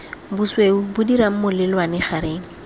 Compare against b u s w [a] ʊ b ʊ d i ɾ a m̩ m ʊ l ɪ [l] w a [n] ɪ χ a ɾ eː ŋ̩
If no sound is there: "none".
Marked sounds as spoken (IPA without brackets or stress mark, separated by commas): e, l, n